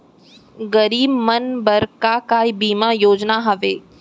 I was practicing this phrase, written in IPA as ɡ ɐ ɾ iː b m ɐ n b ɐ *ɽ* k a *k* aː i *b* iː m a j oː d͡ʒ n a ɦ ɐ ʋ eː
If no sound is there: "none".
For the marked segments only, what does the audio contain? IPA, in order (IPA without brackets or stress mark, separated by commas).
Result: ɾ, k, b